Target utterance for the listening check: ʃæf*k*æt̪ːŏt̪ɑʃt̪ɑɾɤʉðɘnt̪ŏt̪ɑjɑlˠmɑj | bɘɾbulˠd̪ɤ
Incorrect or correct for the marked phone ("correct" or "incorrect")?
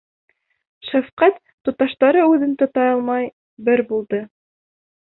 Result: incorrect